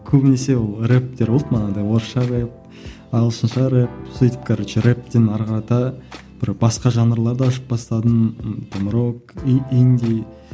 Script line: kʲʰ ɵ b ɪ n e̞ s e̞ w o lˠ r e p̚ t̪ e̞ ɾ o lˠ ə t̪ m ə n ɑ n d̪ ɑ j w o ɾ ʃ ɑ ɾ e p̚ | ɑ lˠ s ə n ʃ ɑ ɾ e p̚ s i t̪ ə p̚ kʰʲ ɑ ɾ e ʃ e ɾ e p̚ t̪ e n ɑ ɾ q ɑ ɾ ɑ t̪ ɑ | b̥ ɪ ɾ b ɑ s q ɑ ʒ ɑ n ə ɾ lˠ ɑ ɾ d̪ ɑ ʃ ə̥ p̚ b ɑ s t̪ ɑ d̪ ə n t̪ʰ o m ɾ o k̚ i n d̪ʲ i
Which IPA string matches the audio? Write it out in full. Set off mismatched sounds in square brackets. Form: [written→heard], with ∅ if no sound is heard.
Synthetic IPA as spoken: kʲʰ ɵ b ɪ n e̞ s e̞ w o lˠ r e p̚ t̪ e̞ ɾ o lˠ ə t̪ m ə n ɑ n d̪ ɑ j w o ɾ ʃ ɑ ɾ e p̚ | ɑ lˠ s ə n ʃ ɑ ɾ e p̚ s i t̪ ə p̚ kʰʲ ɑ ɾ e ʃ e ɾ e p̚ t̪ e n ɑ ɾ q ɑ ɾ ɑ t̪ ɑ | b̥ ɪ ɾ b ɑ s q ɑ ʒ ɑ n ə ɾ lˠ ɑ ɾ d̪ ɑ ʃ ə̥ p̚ b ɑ s t̪ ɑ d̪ ə n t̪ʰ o m ɾ o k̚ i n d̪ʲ i